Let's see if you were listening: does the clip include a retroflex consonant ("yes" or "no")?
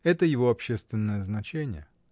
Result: no